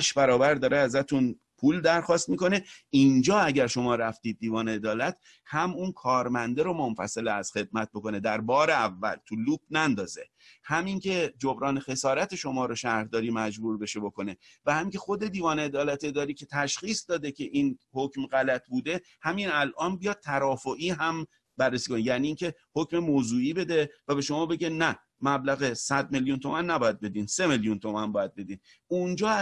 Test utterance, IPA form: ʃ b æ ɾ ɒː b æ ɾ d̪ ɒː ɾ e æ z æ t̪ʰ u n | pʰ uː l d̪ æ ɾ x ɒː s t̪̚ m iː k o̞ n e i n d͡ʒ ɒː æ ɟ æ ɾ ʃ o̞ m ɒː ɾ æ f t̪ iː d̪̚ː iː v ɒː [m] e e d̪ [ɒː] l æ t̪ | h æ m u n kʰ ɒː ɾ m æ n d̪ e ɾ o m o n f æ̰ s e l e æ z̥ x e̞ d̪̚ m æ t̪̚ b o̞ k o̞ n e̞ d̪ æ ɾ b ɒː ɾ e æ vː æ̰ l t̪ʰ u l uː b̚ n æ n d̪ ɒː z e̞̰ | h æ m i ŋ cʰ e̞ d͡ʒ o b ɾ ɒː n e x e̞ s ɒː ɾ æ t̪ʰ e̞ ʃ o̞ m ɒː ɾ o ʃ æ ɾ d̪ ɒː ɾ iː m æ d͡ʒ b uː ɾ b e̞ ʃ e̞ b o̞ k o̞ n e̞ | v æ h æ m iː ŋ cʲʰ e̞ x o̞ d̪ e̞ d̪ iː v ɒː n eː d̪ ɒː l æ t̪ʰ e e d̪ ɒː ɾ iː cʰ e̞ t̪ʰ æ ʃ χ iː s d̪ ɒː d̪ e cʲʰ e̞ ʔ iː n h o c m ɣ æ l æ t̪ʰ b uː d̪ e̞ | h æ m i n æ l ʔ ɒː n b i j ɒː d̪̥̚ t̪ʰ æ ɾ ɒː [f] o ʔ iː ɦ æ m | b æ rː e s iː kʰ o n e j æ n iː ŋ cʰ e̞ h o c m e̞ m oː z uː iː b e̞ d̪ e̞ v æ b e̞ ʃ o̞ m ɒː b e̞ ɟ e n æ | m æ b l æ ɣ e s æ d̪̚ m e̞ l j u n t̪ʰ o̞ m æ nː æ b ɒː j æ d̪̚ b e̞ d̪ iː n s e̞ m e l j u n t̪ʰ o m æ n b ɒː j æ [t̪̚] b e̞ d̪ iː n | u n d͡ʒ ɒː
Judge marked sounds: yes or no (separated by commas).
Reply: no, yes, yes, no